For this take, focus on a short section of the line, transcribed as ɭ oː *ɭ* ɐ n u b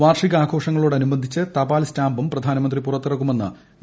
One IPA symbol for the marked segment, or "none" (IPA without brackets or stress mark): ɽ